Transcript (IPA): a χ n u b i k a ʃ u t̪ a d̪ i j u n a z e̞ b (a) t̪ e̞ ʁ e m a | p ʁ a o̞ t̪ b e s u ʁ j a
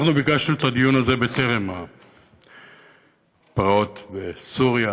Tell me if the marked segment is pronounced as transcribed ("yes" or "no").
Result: no